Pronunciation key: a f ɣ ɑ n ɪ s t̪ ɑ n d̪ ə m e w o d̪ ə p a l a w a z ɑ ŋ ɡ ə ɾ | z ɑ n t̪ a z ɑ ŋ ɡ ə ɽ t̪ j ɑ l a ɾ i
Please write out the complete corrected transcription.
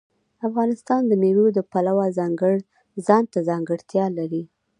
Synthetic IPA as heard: a f ɣ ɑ n ɪ s t̪ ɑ n d̪ ə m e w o d̪ ə p a l a w a z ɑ ŋ ɡ ə ɽ | z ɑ n t̪ a z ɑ ŋ ɡ ə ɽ t̪ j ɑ l a ɾ i